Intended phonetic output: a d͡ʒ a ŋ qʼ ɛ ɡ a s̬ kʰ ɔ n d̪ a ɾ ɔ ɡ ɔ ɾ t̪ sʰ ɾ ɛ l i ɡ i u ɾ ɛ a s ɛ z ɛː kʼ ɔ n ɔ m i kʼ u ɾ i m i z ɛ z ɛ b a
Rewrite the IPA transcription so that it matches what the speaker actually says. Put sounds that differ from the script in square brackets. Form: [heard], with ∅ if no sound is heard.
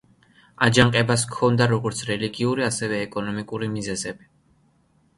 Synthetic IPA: a d͡ʒ a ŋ qʼ ɛ [b] a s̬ kʰ ɔ n d̪ a ɾ ɔ ɡ ɔ ɾ t̪ sʰ ɾ ɛ l i ɡ i u ɾ [i] a s ɛ [v] ɛː kʼ ɔ n ɔ m i kʼ u ɾ i m i z ɛ z ɛ b [i]